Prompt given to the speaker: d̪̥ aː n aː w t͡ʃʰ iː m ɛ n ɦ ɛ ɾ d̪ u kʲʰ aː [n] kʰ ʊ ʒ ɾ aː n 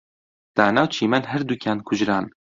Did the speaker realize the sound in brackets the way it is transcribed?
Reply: yes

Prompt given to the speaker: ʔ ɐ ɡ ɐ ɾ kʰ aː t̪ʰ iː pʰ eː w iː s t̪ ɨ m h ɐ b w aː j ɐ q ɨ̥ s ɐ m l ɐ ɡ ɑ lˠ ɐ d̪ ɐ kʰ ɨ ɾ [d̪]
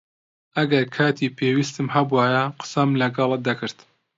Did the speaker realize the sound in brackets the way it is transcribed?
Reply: no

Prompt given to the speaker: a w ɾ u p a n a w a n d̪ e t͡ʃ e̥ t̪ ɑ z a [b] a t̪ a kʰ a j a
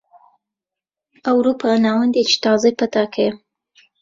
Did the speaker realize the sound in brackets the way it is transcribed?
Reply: no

